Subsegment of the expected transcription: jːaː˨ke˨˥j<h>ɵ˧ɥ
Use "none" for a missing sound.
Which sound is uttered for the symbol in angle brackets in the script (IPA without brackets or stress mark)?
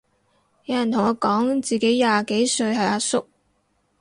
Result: s